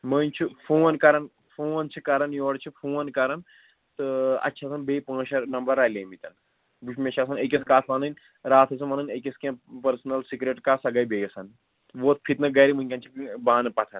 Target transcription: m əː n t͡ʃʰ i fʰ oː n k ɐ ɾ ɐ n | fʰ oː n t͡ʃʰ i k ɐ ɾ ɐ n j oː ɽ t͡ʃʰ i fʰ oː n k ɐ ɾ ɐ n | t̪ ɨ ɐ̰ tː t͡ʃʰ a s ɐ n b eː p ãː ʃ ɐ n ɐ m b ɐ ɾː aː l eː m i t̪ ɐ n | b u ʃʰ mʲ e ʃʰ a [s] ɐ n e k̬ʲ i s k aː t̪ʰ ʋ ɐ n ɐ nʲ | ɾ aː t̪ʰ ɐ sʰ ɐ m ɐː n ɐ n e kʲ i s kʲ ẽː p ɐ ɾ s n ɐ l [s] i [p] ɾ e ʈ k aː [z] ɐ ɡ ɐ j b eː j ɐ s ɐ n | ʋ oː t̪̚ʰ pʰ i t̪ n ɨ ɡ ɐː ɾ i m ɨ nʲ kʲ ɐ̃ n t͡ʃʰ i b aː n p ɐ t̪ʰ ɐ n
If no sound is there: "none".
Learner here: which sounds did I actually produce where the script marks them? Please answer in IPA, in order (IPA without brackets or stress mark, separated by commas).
s, s, k, s